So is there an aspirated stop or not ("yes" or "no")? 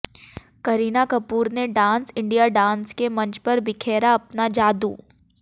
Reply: yes